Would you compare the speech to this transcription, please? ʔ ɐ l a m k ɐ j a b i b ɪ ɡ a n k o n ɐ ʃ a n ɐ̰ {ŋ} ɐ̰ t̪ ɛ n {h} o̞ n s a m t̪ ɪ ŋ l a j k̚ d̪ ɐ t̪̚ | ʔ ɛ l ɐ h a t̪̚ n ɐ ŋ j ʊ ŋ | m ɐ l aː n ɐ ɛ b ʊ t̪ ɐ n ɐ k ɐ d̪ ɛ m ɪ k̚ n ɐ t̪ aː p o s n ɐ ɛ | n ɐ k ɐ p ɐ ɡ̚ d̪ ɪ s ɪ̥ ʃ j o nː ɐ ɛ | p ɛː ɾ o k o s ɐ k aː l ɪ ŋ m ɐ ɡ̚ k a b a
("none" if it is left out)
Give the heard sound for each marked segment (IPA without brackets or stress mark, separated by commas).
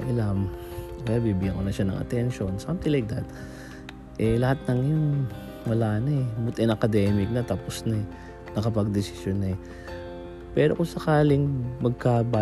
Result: ŋ, ʃ